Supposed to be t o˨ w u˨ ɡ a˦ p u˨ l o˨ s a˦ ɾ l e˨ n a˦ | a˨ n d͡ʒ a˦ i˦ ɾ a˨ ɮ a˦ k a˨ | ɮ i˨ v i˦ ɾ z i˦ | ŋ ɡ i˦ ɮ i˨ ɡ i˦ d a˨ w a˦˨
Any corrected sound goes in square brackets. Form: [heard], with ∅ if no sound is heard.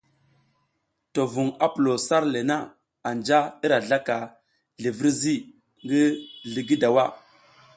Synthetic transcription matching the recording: t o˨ [v] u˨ [ŋ] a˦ p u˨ l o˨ s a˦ ɾ l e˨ n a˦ | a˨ n d͡ʒ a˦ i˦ ɾ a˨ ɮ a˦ k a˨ | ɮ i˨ v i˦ ɾ z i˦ | ŋ ɡ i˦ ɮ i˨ ɡ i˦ d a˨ w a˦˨